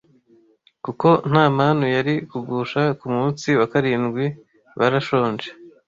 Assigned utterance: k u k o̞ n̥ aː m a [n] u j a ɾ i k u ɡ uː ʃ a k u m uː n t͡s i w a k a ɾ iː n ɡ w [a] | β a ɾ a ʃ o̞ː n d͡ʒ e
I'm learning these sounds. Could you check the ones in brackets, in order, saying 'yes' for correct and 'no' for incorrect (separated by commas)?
yes, no